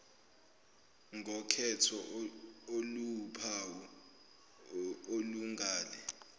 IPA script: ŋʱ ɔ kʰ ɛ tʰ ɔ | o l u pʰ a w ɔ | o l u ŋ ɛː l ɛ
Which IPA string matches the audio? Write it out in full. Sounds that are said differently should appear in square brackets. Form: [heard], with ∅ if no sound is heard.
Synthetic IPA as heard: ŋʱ ɔ kʰ ɛ tʰ ɔ | o l u pʰ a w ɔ | o l u ŋ [aː] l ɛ